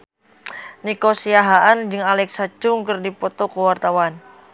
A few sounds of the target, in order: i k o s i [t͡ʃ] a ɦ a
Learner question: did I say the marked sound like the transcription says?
no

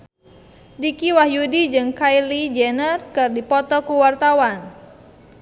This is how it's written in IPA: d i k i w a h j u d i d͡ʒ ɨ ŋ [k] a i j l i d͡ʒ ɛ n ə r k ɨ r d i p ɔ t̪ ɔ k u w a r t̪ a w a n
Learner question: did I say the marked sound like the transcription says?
yes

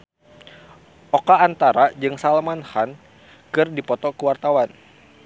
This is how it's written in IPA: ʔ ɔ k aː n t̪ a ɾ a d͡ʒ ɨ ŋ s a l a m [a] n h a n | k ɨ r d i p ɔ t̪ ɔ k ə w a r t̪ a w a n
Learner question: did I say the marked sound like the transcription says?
yes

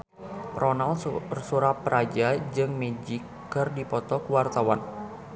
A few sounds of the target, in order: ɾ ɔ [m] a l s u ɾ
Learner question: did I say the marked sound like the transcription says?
no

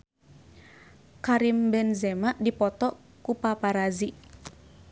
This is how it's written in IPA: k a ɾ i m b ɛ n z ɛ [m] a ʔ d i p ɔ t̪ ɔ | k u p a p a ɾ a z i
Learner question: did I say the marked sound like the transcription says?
yes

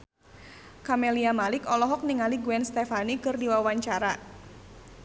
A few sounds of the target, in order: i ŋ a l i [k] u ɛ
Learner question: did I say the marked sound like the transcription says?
no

